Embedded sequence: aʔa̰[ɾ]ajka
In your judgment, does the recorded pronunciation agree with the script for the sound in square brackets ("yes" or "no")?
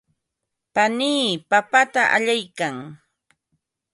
no